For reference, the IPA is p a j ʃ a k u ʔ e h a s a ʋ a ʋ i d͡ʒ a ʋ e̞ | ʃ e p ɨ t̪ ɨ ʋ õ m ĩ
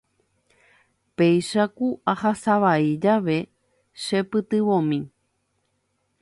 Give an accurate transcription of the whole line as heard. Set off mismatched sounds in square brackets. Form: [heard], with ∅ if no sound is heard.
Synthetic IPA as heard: p [e] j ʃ a k u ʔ [a] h a s a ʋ a [∅] i d͡ʒ a ʋ e̞ | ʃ e p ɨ t̪ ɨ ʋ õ m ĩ